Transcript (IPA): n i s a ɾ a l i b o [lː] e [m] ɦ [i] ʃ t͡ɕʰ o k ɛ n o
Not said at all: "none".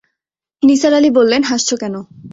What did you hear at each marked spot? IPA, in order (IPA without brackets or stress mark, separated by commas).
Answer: lː, n, a